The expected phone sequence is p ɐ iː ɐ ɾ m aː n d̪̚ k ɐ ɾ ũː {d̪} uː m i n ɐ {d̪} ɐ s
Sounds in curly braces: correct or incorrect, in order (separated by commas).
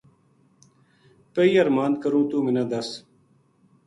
incorrect, correct